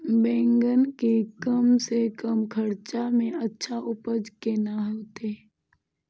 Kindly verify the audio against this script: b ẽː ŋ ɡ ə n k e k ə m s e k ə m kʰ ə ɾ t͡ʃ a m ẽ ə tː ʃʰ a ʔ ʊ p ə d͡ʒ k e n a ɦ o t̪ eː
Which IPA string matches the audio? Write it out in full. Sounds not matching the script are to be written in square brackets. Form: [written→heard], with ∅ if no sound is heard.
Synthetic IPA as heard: b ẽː ŋ ɡ ə n k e k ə m s e k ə m kʰ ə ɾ t͡ʃ a m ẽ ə tː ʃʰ a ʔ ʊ p ə d͡ʒ k e n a ɦ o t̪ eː